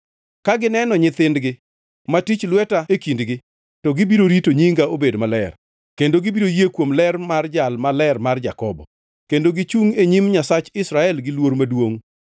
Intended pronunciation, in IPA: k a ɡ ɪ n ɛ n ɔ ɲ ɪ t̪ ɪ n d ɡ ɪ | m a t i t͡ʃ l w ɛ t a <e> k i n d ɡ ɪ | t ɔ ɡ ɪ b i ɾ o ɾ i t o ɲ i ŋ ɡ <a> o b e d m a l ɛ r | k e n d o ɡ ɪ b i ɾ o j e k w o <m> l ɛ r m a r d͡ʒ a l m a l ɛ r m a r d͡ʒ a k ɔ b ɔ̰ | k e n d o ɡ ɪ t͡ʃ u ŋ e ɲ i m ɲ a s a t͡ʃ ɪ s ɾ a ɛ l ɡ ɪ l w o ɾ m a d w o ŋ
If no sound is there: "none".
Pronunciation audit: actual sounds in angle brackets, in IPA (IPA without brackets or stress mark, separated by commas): e, a, m